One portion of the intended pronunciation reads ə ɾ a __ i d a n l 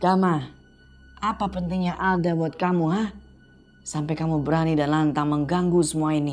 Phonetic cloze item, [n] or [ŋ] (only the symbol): n